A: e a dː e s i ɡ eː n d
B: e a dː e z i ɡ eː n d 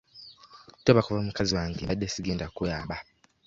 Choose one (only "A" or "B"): A